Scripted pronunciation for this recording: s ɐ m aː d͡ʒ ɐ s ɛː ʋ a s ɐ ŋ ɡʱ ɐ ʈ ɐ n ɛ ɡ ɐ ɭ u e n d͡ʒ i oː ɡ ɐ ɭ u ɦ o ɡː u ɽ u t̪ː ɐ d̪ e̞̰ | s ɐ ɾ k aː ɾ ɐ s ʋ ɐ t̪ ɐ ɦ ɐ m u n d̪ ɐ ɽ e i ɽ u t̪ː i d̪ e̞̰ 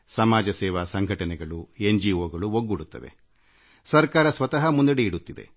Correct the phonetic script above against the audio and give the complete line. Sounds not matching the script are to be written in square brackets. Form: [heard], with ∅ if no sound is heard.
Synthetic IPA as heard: s ɐ m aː d͡ʒ ɐ s ɛː ʋ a s ɐ ŋ ɡʱ ɐ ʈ ɐ n ɛ ɡ ɐ ɭ u e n d͡ʒ i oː ɡ ɐ ɭ u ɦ o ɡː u ɽ u t̪ː ɐ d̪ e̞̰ | s ɐ ɾ k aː ɾ ɐ s ʋ ɐ t̪ ɐ ɦ ɐ m u n d̪ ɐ ɽ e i ɽ u t̪ː i d̪ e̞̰